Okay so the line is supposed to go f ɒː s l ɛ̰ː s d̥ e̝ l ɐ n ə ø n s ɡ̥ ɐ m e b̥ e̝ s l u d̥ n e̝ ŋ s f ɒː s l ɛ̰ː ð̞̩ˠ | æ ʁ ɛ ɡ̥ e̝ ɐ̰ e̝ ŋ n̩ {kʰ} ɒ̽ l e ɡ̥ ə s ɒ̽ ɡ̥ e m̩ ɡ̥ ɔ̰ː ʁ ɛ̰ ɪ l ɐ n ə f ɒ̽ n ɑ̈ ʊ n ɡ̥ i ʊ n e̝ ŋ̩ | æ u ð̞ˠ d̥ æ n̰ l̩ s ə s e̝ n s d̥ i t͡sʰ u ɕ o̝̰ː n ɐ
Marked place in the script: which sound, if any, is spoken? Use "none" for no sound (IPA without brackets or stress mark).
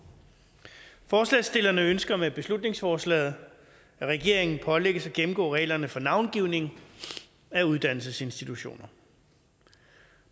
pʰ